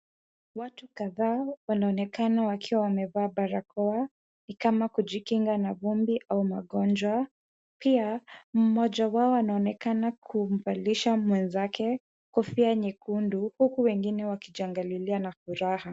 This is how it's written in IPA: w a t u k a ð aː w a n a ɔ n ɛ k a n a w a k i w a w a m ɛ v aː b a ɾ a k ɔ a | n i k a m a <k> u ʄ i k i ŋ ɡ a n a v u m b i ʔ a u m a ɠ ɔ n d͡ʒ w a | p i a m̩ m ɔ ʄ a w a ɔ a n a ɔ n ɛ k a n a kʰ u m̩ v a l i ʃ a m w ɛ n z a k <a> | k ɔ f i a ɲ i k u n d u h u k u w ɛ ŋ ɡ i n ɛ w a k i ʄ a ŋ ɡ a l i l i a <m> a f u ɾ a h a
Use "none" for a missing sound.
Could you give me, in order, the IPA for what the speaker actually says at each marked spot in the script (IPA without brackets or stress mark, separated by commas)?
k, ɛ, n